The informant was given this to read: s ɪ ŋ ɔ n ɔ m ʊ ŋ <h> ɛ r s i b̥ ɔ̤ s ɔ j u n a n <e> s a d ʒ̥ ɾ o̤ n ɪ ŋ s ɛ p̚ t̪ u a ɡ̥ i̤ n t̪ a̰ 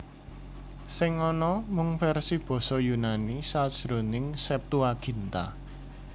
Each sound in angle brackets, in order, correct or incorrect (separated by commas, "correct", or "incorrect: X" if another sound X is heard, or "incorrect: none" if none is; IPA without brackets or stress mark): incorrect: f, incorrect: i